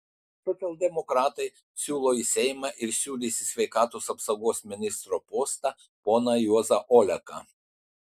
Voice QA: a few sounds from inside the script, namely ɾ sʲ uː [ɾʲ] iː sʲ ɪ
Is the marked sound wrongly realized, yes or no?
yes